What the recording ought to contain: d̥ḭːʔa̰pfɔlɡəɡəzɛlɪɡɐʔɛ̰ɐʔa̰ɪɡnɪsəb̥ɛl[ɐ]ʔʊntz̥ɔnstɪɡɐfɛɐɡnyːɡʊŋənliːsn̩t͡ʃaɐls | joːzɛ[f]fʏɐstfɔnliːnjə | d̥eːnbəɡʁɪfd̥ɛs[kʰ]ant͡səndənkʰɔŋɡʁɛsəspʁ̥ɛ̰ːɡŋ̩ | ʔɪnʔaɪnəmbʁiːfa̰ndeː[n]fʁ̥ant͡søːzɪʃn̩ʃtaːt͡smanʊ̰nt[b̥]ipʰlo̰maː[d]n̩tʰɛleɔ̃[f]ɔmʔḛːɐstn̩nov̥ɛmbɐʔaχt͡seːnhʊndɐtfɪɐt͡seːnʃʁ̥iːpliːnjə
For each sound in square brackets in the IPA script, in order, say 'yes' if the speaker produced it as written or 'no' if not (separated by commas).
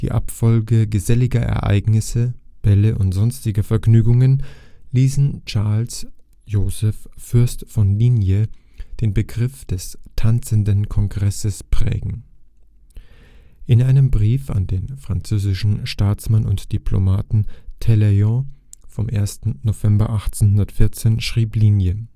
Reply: no, yes, no, yes, no, no, yes